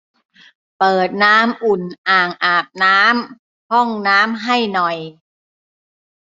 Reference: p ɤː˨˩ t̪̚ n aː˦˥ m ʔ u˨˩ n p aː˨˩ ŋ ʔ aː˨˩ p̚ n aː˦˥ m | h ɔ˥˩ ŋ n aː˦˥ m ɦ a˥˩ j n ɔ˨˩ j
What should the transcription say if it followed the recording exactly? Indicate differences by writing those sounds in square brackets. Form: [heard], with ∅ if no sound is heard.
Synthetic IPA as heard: p ɤː˨˩ t̪̚ n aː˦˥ m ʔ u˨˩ n [ʔ] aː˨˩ ŋ ʔ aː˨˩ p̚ n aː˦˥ m | h ɔ˥˩ ŋ n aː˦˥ m ɦ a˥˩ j n ɔ˨˩ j